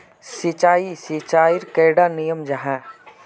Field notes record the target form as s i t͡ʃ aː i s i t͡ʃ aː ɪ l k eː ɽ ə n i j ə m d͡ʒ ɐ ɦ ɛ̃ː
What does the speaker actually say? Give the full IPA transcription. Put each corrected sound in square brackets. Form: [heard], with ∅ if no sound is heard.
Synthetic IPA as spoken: s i t͡ʃ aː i s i t͡ʃ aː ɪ [ɾ] k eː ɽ [a] n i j ə m d͡ʒ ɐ ɦ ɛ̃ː

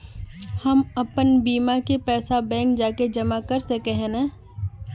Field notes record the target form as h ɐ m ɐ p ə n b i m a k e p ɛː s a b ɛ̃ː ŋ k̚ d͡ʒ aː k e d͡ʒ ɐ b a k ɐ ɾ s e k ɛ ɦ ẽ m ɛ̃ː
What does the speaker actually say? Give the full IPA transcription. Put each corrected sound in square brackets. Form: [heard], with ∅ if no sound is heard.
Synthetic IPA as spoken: h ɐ m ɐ p ə n b [iː] m a k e p ɛː s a b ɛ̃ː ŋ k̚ d͡ʒ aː k e d͡ʒ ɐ [m] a k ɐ ɾ s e k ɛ ɦ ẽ [n] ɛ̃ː

